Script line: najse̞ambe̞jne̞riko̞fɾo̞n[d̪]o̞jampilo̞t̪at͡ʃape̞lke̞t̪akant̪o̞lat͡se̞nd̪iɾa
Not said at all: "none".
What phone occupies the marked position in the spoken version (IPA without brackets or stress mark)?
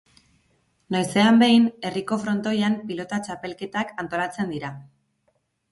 t̪